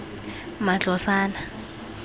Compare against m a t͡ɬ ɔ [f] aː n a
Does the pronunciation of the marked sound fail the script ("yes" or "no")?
yes